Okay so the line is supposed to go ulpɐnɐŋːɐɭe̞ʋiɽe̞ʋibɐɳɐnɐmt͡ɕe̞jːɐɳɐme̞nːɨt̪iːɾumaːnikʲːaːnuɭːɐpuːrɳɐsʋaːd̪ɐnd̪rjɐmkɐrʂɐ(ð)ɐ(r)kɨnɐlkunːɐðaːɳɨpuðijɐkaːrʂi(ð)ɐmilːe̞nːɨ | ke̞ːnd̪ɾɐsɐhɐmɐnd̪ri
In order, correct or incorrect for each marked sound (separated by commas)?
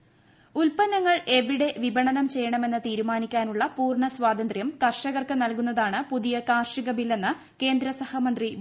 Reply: incorrect, correct, incorrect